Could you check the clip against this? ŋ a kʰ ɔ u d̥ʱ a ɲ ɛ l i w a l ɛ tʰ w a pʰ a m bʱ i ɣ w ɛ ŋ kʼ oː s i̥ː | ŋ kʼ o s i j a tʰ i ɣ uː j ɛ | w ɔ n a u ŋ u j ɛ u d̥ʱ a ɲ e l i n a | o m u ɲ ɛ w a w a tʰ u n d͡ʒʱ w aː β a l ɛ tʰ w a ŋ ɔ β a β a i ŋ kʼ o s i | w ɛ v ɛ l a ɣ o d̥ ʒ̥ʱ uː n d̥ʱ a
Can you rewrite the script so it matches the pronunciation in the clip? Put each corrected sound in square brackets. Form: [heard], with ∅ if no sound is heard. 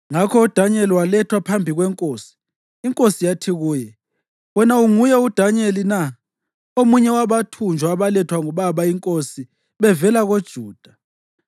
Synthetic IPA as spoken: ŋ a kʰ ɔ u d̥ʱ a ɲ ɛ l i w a l ɛ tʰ w a pʰ a m bʱ i ɣ w ɛ ŋ kʼ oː s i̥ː | ŋ kʼ o s i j a tʰ i ɣ uː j ɛ | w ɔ n a u ŋ u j ɛ u d̥ʱ a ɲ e l i n a | o m u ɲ ɛ w a [β] a tʰ u n d͡ʒʱ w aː β a l ɛ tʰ w a ŋ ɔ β a β a i ŋ kʼ o s i | [β] ɛ v ɛ l a ɣ o d̥ ʒ̥ʱ uː [∅] d̥ʱ a